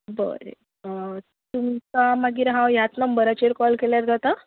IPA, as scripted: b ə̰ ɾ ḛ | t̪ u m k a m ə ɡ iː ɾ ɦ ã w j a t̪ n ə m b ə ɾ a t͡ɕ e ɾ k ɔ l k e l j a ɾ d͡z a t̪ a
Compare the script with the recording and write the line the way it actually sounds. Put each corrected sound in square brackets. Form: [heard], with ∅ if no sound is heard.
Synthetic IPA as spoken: b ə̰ ɾ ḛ | t̪ u m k a m [a] ɡ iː ɾ ɦ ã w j a t̪ n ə m b ə ɾ a t͡ɕ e ɾ k ɔ l k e l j a ɾ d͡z a t̪ a